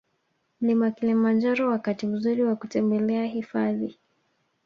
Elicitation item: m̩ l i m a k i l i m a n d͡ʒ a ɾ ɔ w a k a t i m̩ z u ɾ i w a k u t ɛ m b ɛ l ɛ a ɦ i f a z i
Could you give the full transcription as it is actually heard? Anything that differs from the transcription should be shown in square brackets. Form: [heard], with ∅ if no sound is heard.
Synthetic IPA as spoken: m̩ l i m a k i l i m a n d͡ʒ a ɾ ɔ w a k a t i m̩ z u ɾ i w a k u t ɛ m b ɛ l ɛ a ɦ i f a [ð] i